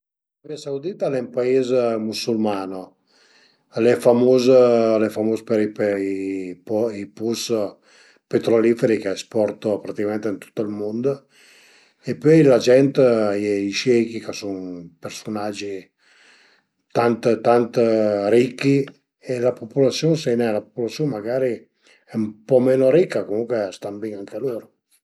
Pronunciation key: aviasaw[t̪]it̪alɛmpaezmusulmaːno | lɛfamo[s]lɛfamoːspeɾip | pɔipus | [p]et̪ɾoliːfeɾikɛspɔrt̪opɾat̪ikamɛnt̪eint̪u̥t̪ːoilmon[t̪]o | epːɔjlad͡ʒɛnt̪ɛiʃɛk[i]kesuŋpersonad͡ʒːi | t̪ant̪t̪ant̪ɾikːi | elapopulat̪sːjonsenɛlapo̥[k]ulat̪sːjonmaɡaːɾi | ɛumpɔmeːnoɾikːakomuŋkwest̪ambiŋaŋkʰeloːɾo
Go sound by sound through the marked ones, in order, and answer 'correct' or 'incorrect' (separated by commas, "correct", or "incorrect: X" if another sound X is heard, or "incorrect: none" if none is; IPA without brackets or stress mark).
incorrect: d̪, incorrect: z, correct, incorrect: d̪, correct, incorrect: p